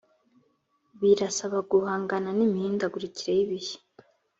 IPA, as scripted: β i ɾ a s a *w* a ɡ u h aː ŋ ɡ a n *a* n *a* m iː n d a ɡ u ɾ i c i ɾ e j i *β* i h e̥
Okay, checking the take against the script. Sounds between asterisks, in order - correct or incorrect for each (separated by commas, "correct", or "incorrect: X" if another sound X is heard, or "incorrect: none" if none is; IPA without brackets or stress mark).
incorrect: β, correct, incorrect: i, correct